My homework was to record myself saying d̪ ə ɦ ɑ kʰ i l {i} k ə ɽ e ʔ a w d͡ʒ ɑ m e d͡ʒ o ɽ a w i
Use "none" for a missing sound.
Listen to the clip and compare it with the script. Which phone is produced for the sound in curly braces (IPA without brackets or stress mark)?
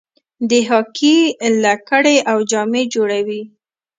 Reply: a